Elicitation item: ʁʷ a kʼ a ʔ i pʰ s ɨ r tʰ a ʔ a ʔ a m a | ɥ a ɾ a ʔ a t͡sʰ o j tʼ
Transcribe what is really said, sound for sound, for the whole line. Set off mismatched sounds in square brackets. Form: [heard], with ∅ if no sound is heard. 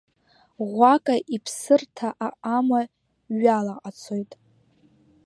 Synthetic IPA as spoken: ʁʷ a kʼ a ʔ i pʰ s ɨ r tʰ a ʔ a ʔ a m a | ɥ a [l] a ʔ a t͡sʰ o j tʼ